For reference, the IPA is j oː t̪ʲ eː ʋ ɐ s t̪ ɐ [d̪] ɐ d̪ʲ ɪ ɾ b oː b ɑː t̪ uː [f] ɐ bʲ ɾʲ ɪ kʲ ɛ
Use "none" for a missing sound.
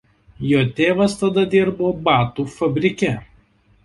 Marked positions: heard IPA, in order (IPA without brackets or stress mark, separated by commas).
d̪, f